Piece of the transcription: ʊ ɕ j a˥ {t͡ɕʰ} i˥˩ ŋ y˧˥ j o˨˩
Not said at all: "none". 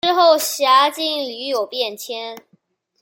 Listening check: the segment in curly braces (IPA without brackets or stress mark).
t͡ɕ